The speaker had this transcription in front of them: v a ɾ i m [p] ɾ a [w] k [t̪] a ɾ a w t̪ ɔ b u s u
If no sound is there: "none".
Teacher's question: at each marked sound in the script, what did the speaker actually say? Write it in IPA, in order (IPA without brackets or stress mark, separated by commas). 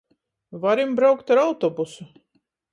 b, w, t̪